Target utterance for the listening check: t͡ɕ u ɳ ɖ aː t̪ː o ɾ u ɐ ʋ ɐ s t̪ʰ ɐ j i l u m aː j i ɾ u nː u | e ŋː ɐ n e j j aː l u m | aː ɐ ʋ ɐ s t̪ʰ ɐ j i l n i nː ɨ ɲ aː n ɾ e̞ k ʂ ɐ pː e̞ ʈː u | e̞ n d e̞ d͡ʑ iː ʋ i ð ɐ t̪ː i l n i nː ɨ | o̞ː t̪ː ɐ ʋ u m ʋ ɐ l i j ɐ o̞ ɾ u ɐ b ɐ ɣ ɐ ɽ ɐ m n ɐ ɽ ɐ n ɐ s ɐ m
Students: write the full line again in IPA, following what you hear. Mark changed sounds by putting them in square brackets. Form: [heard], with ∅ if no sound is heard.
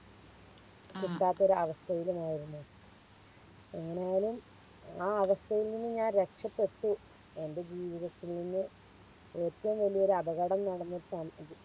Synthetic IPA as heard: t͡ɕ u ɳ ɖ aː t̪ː o ɾ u ɐ ʋ ɐ s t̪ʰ ɐ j i l u m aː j i ɾ u nː u | e ŋː ɐ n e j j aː l u m | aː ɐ ʋ ɐ s t̪ʰ ɐ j i l n i nː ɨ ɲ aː n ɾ e̞ k ʂ ɐ pː e̞ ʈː u | e̞ n d e̞ d͡ʑ iː ʋ i ð ɐ t̪ː i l n i nː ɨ | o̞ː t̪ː ɐ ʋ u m ʋ ɐ l i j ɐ o̞ ɾ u ɐ b ɐ ɣ ɐ ɽ ɐ m n ɐ ɽ ɐ [nː] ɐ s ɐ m